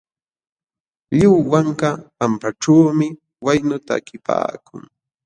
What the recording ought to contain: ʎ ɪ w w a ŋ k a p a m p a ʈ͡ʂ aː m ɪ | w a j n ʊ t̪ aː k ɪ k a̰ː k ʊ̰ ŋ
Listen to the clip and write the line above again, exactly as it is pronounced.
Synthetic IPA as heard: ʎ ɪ w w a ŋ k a p a m p a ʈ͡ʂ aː m ɪ | w a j n ʊ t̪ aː k ɪ p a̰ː k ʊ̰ ŋ